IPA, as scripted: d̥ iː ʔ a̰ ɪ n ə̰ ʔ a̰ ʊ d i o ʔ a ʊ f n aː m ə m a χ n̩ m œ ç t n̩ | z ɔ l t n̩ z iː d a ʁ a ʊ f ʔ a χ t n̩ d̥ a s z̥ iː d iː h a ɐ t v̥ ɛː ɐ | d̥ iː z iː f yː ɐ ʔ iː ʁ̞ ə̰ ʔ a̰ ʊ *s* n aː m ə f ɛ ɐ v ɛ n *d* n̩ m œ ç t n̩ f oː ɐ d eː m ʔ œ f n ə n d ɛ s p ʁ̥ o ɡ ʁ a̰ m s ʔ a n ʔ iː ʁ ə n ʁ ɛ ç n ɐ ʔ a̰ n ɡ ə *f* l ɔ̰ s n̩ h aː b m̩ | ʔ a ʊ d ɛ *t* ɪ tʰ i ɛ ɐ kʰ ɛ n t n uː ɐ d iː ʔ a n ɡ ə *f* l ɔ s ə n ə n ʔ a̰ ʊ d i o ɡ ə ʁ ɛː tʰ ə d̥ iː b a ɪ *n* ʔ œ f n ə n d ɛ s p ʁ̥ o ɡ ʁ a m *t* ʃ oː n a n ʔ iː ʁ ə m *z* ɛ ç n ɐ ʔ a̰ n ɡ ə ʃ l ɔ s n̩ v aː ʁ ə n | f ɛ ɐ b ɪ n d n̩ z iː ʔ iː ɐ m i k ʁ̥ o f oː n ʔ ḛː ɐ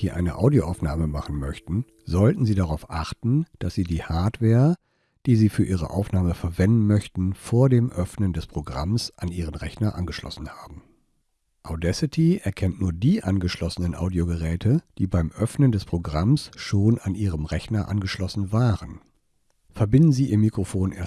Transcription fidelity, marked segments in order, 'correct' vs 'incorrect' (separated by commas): incorrect, correct, incorrect, incorrect, incorrect, incorrect, incorrect, incorrect